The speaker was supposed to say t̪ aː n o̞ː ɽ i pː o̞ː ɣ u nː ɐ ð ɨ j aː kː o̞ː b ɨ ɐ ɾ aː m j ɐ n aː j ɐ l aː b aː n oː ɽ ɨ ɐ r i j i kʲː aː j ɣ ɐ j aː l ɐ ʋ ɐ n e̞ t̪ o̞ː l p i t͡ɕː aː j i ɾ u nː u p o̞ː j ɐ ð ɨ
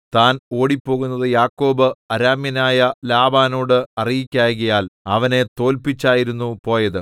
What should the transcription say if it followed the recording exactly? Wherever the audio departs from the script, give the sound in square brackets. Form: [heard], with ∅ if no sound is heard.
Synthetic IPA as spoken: t̪ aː n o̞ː ɽ i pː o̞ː ɣ u nː ɐ ð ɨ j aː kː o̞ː b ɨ ɐ ɾ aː m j ɐ n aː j ɐ l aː b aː n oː ɽ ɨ ɐ r i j i kʲː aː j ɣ ɐ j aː l ɐ ʋ ɐ n e̞ t̪ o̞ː l p i t͡ɕː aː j i ɾ u nː u p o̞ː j ɐ ð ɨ